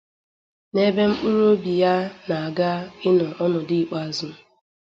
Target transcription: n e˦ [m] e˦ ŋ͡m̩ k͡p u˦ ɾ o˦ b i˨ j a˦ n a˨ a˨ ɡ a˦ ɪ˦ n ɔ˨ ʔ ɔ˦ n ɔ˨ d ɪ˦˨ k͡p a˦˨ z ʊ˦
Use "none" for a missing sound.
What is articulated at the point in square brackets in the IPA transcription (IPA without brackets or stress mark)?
b